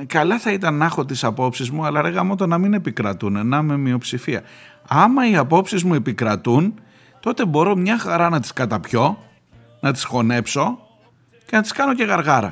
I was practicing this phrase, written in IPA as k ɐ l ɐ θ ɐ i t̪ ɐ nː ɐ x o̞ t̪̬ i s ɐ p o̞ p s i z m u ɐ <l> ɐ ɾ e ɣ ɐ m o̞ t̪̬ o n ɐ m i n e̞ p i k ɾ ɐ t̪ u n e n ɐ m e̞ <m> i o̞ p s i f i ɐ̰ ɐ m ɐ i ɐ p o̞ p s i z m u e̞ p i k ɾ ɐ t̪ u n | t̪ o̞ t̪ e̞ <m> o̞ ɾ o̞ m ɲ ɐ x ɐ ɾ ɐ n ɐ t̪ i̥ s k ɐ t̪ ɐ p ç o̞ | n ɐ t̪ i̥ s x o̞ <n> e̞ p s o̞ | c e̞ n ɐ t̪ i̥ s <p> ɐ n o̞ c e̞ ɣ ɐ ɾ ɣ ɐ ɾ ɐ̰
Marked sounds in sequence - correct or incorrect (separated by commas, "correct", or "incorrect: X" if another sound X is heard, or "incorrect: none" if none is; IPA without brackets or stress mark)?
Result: correct, correct, incorrect: b, correct, incorrect: k